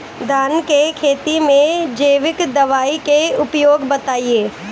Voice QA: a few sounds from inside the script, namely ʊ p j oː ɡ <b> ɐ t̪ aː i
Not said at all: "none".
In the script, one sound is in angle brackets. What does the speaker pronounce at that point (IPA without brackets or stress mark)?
b